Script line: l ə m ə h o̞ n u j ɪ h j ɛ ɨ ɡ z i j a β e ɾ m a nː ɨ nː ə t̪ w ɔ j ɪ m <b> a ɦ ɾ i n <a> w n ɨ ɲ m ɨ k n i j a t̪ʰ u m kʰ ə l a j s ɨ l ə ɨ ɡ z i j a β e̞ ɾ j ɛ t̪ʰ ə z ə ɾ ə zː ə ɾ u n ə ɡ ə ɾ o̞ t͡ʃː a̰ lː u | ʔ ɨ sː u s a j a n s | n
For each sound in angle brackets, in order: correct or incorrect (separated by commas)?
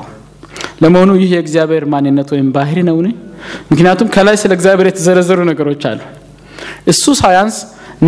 correct, incorrect